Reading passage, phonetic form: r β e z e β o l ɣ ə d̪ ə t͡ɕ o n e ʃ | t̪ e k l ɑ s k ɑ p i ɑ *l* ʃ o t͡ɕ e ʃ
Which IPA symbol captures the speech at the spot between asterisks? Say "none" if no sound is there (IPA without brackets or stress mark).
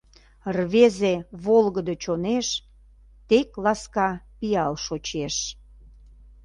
l